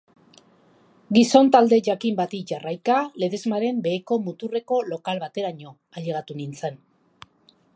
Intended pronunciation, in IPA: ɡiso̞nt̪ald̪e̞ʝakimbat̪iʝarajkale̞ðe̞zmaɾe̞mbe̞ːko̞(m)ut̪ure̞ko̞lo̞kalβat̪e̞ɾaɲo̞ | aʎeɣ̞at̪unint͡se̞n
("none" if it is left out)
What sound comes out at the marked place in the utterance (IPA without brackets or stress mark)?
m